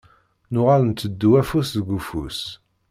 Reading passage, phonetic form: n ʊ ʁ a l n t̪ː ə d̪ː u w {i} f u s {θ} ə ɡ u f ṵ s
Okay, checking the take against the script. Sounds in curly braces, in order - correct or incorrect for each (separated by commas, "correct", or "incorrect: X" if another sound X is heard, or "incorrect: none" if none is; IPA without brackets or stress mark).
incorrect: æ, incorrect: ð